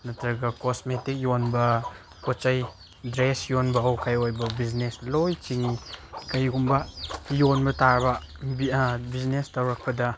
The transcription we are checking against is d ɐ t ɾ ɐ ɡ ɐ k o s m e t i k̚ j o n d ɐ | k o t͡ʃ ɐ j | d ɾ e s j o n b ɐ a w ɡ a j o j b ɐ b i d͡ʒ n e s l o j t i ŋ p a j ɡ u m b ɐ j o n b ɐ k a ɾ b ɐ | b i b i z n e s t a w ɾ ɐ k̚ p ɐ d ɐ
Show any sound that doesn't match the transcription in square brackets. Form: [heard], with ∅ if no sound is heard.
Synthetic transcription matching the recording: [n] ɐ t ɾ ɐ ɡ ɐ k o s m e t i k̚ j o n [b] ɐ | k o t͡ʃ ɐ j | d ɾ e s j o n b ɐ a w [k] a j o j b ɐ b i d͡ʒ n e s l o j [t͡ʃ] i ŋ [k] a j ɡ u m b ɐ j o n b ɐ [t] a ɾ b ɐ | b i b i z n e s t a w ɾ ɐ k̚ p ɐ d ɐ